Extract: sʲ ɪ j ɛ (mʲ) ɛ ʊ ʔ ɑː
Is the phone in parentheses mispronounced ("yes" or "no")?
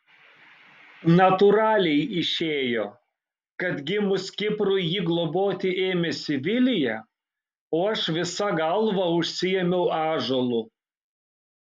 no